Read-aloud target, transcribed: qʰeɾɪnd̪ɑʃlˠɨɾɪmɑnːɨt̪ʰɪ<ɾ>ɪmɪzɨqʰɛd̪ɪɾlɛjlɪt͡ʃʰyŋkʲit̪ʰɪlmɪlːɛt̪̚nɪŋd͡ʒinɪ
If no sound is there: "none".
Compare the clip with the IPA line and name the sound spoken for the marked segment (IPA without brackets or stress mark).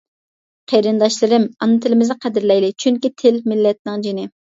l